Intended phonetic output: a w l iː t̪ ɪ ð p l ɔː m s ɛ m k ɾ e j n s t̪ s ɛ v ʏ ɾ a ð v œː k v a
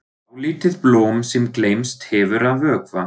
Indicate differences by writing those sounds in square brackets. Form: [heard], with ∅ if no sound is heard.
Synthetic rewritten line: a w l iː t̪ ɪ ð p l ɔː m s ɛ m k [l] e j [m] s t̪ [h] ɛ v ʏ ɾ a ð v œː k v a